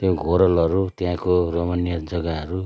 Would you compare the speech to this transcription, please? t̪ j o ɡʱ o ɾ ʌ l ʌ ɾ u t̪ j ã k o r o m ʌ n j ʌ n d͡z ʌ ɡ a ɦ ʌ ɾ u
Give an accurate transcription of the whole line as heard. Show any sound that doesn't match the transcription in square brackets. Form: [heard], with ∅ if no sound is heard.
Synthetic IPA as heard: t̪ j o ɡʱ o ɾ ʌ l ʌ ɾ u t̪ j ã k o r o m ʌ n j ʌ [∅] d͡z ʌ ɡ a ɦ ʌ ɾ u

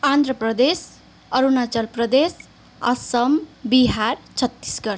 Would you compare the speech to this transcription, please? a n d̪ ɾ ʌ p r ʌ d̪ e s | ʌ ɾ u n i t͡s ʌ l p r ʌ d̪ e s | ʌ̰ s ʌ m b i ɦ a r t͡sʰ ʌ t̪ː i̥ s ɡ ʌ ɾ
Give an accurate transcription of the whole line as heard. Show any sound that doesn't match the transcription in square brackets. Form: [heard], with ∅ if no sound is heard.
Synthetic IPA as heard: a n d̪ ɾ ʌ p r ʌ d̪ e s | ʌ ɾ u n [a] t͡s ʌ l p r ʌ d̪ e s | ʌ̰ s ʌ m b i ɦ a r t͡sʰ ʌ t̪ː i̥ s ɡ ʌ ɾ

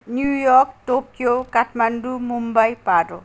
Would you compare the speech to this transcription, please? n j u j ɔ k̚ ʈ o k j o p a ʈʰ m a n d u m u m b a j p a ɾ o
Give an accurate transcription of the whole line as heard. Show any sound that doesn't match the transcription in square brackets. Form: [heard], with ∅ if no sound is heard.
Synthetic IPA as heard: n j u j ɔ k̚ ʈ o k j o [k] a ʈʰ m a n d u m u m b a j p a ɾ o

